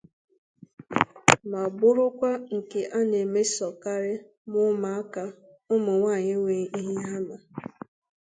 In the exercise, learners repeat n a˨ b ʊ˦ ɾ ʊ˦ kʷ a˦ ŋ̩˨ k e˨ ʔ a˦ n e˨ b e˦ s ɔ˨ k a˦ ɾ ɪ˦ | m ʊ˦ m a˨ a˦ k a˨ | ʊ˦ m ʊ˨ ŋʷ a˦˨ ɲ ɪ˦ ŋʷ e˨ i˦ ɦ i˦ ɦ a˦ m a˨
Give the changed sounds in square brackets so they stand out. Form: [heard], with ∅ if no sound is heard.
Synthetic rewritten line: [m] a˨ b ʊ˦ ɾ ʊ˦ kʷ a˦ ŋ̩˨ k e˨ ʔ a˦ n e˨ [m] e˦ s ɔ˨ k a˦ ɾ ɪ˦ | m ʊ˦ m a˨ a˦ k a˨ | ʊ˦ m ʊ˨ ŋʷ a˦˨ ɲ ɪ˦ ŋʷ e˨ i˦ ɦ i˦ ɦ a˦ m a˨

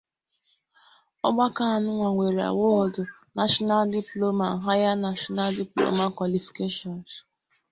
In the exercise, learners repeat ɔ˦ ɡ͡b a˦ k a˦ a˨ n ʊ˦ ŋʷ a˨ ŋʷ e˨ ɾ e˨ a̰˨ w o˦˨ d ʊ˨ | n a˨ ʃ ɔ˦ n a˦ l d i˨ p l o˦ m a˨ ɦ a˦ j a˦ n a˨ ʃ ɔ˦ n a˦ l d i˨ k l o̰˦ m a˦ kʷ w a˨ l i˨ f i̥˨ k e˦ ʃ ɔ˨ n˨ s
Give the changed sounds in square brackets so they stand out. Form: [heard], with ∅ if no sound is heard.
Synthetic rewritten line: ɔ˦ ɡ͡b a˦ k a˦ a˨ n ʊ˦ ŋʷ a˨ ŋʷ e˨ ɾ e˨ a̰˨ w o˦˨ d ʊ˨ | n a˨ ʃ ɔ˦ n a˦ l d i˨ p l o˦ m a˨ ɦ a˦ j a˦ n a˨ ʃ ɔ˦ n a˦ l d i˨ [p] l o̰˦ m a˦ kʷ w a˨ l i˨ f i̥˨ k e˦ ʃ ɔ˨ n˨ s

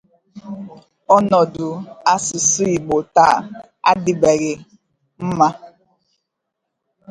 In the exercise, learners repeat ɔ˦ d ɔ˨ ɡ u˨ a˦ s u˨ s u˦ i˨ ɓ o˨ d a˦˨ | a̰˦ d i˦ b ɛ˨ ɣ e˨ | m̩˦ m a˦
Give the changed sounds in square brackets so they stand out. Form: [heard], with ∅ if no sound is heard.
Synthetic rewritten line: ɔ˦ [n] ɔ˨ [d] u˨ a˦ s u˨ s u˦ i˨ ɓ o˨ [t] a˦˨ | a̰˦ d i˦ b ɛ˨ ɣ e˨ | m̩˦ m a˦

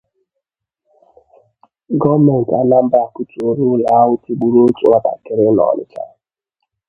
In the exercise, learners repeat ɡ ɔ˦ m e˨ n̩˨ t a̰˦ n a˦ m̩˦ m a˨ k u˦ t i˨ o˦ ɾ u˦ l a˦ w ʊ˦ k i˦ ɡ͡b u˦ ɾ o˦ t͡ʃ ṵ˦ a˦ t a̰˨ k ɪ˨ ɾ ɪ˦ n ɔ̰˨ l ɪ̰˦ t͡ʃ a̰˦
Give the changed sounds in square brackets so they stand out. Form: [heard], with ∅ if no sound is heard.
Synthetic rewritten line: ɡ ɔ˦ m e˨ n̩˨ t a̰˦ n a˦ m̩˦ [b] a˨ k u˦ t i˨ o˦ ɾ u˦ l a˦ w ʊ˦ [t] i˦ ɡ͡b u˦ ɾ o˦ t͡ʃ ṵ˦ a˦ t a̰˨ k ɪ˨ ɾ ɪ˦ n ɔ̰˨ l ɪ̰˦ t͡ʃ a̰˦

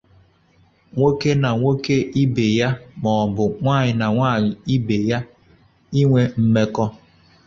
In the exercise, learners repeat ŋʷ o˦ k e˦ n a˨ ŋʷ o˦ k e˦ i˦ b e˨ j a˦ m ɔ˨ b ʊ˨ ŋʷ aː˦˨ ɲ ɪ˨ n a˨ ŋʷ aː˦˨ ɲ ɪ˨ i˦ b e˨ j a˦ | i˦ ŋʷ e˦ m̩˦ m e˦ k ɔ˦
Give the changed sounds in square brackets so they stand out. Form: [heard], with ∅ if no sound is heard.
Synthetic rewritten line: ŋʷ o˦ k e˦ n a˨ ŋʷ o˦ k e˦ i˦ b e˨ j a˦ m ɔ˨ b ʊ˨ ŋʷ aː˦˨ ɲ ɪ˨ n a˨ ŋʷ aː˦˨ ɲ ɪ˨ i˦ b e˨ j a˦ | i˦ ŋʷ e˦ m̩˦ m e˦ k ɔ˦

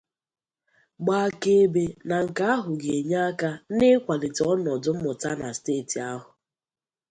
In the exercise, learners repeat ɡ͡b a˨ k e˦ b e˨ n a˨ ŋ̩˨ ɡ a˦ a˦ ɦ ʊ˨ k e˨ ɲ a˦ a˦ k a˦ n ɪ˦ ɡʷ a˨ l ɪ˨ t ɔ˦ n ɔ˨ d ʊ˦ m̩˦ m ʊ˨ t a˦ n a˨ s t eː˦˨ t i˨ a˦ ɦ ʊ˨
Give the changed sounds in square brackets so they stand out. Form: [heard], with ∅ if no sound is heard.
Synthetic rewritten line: ɡ͡b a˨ k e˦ b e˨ n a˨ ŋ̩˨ [k] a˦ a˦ ɦ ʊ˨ [ɡ] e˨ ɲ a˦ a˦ k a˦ n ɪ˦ [kʷ] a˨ l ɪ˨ t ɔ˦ n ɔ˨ d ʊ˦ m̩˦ m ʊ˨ t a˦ n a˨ s t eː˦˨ t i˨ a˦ ɦ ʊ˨

